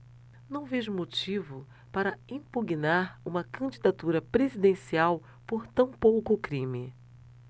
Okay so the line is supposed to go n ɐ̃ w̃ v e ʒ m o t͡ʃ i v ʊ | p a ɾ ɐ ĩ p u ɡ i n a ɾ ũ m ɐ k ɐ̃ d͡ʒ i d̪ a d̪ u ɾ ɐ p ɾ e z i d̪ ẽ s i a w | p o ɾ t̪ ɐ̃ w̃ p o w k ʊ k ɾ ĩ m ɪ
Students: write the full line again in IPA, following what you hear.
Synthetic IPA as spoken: n ɐ̃ w̃ v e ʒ m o t͡ʃ i v ʊ | p a ɾ ɐ ĩ p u ɡ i n a ɾ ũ m ɐ k ɐ̃ d͡ʒ i d̪ a t̪ u ɾ ɐ p ɾ e z i d̪ ẽ s i a w | p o ɾ t̪ ɐ̃ w̃ p o w k ʊ k ɾ ĩ m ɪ